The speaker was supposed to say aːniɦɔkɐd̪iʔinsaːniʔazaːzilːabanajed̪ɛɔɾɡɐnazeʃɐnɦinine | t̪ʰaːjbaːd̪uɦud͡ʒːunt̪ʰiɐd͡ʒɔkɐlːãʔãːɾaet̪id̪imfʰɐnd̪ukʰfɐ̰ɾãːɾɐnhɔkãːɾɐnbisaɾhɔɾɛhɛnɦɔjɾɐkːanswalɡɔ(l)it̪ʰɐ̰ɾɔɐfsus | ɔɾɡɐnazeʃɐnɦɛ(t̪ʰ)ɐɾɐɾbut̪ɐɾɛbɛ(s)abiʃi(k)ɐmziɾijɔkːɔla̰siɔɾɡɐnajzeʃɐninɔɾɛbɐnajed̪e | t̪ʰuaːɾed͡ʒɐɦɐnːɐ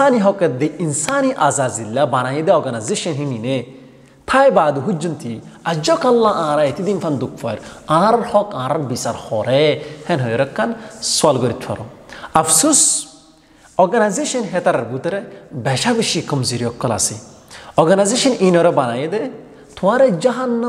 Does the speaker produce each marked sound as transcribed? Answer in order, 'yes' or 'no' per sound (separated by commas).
no, no, no, yes